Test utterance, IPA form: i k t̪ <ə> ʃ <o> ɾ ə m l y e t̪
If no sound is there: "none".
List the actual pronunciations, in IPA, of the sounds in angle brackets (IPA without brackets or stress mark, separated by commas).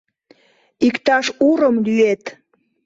ɑ, u